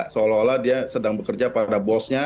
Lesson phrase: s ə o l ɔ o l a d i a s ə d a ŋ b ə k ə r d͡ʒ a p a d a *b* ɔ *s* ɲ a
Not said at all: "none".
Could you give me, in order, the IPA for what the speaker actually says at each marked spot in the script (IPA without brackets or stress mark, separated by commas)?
b, s